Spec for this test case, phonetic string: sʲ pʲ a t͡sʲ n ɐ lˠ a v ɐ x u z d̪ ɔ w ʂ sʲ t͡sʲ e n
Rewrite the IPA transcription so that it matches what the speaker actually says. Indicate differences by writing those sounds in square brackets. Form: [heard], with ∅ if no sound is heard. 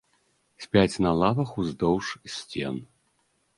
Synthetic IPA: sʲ pʲ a t͡sʲ n ɐ lˠ a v ɐ x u z d̪ ɔ w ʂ sʲ t͡sʲ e n